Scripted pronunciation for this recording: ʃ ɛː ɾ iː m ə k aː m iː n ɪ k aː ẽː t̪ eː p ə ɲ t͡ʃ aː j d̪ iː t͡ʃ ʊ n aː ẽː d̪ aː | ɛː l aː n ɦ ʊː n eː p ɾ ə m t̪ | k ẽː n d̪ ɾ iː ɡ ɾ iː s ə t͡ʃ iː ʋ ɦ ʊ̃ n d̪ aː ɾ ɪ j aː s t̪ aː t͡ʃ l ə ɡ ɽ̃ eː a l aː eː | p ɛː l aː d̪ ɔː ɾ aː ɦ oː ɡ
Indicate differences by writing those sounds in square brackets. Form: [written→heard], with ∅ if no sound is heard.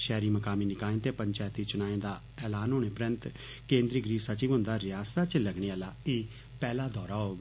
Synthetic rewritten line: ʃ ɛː ɾ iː m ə k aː m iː n ɪ k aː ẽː t̪ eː p ə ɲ t͡ʃ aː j [d̪→t̪] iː t͡ʃ ʊ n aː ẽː d̪ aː | ɛː l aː n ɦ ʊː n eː p ɾ ə [m→n] t̪ | k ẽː n d̪ ɾ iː ɡ ɾ iː s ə t͡ʃ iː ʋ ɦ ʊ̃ n d̪ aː ɾ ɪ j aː s t̪ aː t͡ʃ l ə ɡ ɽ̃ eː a l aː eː | p ɛː l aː d̪ ɔː ɾ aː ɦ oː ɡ